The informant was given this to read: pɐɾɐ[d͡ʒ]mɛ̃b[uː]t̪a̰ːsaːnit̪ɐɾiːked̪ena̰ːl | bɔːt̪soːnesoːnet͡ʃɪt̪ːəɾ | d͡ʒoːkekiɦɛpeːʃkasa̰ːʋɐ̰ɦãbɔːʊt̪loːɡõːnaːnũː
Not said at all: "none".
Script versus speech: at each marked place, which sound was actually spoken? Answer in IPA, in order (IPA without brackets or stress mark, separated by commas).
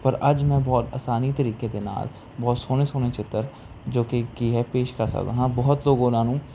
d͡ʒ, ɔː